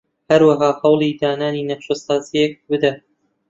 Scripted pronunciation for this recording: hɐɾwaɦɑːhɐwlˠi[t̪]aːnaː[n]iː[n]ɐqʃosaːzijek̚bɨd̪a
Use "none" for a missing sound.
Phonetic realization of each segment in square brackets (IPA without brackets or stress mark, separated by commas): d̪, n, n